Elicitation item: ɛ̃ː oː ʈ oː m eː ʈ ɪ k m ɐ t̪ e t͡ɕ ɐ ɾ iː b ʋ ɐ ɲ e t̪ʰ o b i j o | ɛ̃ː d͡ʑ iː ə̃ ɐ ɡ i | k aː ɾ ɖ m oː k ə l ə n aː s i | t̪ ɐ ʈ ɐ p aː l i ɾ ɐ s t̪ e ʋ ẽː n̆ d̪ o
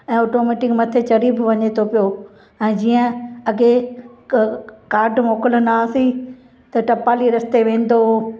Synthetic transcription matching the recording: ɛ̃ː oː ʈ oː m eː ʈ ɪ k m ɐ t̪ʰ e t͡ɕ ɐ ɾ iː b ʋ ɐ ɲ e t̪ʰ o p i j o | ɛ̃ː d͡ʑ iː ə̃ ɐ ɡ e | k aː ɾ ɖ m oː k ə l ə n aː s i | t̪ ɐ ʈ ɐ p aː l i ɾ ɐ s t̪ e ʋ ẽː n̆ d̪ o